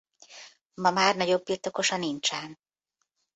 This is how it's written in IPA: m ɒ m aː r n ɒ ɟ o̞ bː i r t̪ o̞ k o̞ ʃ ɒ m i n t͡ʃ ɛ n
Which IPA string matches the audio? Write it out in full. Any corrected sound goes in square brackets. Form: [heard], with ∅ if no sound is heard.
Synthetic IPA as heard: m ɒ m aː r n ɒ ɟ o̞ bː i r t̪ o̞ k o̞ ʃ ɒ [n] i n t͡ʃ ɛ n